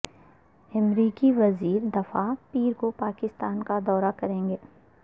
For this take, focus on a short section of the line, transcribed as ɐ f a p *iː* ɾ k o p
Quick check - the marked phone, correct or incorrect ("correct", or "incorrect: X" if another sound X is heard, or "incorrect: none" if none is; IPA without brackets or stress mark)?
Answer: correct